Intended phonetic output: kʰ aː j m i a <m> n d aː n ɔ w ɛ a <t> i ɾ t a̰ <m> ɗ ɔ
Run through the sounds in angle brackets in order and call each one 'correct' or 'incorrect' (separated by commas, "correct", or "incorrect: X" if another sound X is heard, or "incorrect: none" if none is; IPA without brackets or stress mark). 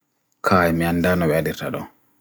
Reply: incorrect: none, incorrect: d, incorrect: none